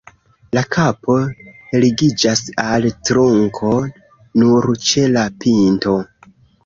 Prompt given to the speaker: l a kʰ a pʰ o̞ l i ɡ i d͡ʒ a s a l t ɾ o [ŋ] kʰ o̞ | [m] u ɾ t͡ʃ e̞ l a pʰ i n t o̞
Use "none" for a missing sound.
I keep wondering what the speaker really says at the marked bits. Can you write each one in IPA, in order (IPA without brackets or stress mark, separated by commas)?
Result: ŋ, n